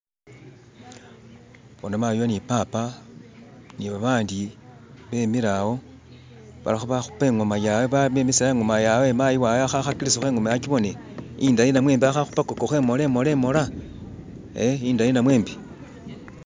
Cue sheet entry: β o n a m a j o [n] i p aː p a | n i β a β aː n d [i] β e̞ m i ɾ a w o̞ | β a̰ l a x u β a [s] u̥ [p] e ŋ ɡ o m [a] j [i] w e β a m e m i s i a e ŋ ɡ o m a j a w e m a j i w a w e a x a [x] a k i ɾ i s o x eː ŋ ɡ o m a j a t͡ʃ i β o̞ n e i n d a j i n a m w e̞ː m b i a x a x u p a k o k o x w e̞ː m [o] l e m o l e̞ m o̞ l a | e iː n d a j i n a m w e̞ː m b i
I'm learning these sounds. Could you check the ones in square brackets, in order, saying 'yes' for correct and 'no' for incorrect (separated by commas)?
yes, yes, no, yes, yes, no, yes, yes